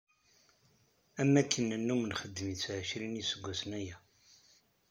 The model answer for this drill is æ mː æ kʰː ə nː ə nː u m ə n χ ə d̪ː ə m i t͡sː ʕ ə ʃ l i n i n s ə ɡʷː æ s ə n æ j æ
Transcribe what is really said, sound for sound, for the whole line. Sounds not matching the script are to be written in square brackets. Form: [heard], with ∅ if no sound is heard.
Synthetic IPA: æ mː æ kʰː ə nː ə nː u m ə n χ ə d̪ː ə m i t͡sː ʕ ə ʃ [ɾ] i n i [∅] s ə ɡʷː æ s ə n æ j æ